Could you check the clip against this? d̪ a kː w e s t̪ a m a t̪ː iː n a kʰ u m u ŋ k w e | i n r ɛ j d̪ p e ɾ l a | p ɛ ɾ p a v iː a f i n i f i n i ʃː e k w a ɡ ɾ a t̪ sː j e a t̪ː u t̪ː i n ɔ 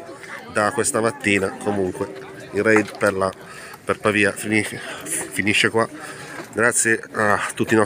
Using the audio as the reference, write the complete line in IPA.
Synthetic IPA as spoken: d̪ a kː w e s t̪ a m a t̪ː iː n a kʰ o m u ŋ k w e | i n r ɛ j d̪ p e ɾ l a | p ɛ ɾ p a v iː a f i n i f i n i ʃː e k w a ɡ ɾ a t̪ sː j e a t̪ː u t̪ː i n ɔ